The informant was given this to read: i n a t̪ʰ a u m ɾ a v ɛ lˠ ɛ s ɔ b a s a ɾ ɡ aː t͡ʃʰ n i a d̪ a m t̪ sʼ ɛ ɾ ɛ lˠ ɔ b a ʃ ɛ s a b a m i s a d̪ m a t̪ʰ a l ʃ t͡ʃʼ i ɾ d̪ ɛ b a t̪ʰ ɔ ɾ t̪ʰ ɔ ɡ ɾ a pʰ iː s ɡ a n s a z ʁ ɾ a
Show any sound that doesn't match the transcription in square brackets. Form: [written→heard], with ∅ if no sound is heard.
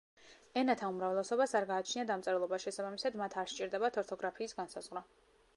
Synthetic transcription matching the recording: [i→ɛ] n a t̪ʰ a u m ɾ a v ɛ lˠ ɛ s ɔ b a s a ɾ ɡ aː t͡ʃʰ n i a d̪ a m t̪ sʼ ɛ ɾ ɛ lˠ ɔ b a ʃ ɛ s a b a m i s a d̪ m a t̪ʰ a [l→ɾ] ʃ t͡ʃʼ i ɾ d̪ ɛ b a t̪ʰ ɔ ɾ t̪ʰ ɔ ɡ ɾ a pʰ iː s ɡ a n s a z ʁ ɾ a